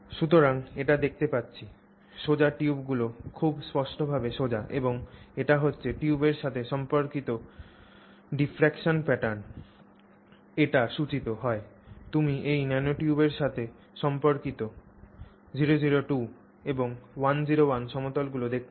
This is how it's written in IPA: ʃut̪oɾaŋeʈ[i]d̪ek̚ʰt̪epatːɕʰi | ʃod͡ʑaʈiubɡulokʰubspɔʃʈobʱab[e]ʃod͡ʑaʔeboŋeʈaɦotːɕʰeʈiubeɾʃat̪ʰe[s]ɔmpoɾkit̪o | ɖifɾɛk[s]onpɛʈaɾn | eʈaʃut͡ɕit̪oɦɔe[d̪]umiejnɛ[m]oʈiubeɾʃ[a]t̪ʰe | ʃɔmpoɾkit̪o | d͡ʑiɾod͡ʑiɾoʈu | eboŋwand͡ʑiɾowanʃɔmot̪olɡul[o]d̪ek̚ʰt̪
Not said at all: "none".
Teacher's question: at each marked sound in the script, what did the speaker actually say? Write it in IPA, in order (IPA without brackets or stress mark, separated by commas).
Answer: a, e, ʃ, ʃ, t̪, n, a, o